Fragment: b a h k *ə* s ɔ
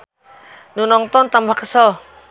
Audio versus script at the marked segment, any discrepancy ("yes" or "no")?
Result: no